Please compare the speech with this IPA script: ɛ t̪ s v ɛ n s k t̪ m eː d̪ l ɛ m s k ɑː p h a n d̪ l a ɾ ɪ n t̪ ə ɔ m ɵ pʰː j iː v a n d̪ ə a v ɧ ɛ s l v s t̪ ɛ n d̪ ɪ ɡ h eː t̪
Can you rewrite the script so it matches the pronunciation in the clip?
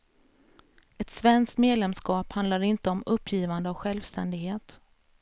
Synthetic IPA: ɛ t̪ s v ɛ n s k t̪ m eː d̪ l ɛ m s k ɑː p h a n d̪ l a ɾ ɪ n t̪ ə ɔ m ɵ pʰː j iː v a n d̪ ə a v ɧ ɛ l v s t̪ ɛ n d̪ ɪ ɡ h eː t̪